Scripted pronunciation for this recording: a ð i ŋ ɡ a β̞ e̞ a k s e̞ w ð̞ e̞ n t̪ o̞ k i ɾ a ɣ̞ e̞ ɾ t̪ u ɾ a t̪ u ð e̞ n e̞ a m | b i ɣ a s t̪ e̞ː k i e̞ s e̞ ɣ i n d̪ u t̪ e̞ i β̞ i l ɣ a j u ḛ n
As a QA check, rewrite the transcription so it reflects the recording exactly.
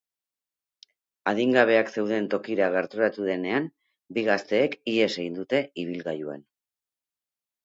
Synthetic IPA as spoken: a ð i ŋ ɡ a β̞ e̞ a k s e̞ w ð̞ e̞ n t̪ o̞ k i ɾ a ɣ̞ e̞ ɾ t̪ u ɾ a t̪ u ð e̞ n e̞ a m | b i ɣ a s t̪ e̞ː k i e̞ s e̞ ɣ i n d̪ u t̪ e̞ i β̞ i l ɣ a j u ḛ n